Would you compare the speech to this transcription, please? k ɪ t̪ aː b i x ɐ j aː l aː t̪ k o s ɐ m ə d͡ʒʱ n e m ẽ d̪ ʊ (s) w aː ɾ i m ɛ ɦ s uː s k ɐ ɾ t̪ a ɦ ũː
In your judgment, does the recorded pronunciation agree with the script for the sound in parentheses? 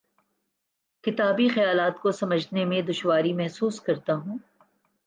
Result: no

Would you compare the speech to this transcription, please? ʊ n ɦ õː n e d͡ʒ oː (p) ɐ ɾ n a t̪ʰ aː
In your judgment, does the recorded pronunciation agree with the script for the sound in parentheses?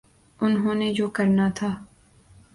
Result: no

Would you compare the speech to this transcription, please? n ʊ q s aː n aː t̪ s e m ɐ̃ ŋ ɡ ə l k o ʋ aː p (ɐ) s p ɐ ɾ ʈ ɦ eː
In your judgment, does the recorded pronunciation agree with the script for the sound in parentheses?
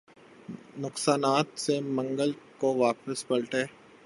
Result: no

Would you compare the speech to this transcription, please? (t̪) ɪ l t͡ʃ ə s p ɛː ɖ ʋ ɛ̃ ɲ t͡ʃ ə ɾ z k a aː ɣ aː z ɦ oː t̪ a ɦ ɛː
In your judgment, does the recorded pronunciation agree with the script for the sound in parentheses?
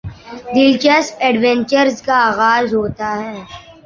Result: no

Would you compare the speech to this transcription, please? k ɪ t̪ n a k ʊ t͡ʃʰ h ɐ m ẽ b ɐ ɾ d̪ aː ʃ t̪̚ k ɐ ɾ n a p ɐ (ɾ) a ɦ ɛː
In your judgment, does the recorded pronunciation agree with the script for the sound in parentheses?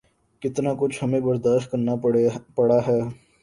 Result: no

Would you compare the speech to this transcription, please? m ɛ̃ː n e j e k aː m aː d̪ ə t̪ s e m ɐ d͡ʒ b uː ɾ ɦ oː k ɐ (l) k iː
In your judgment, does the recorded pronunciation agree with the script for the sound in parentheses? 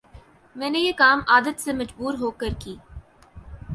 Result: no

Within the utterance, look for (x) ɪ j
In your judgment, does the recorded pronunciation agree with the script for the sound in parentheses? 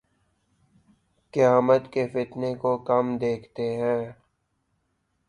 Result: no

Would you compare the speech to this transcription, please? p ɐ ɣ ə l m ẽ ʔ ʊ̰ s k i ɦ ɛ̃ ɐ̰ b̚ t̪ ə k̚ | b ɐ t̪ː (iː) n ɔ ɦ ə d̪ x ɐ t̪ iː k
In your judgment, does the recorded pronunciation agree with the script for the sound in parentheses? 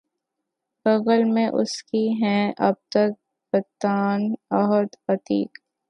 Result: no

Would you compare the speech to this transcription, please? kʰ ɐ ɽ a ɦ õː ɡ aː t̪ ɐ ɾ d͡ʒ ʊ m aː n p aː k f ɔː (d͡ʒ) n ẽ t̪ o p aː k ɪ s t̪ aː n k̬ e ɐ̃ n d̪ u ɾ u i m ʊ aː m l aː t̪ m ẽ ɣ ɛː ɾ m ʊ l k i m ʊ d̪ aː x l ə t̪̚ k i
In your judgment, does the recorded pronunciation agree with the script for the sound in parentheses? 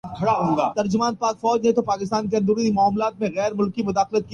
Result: yes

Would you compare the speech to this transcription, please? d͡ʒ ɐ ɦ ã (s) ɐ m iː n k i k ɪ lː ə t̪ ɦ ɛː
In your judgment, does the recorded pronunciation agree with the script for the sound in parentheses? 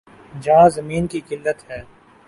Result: no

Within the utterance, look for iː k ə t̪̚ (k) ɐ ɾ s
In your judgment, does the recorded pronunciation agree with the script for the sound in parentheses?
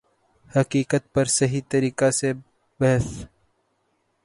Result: no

